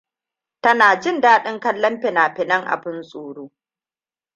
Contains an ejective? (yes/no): yes